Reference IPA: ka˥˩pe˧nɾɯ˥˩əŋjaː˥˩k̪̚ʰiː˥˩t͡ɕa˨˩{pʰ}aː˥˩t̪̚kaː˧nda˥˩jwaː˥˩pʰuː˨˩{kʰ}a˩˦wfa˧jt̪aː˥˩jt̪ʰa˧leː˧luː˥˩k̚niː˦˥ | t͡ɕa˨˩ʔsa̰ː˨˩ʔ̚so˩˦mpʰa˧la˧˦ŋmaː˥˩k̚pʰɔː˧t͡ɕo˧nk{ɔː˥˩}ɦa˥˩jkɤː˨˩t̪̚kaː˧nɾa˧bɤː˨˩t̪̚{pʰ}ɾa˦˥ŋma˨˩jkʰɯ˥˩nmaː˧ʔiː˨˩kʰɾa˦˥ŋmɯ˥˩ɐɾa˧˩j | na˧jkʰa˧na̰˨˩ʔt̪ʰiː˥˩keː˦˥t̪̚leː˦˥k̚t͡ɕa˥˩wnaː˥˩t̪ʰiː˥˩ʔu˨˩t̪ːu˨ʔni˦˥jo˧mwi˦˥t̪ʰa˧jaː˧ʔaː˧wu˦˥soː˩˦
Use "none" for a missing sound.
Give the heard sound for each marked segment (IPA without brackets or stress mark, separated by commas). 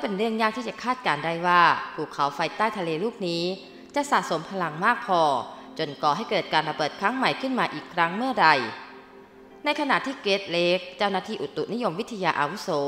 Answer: kʰ, kʰ, ɔː˨˩, kʰ